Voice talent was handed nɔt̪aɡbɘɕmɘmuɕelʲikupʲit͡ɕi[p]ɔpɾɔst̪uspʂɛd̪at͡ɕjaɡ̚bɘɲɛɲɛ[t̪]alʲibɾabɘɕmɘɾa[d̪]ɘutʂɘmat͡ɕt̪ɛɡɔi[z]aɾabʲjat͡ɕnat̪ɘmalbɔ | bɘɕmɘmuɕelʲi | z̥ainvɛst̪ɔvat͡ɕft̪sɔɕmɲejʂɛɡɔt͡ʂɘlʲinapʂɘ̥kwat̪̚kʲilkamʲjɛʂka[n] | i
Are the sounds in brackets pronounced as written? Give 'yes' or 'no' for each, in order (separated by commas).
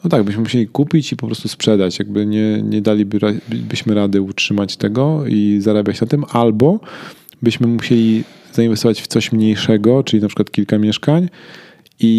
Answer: yes, no, yes, yes, no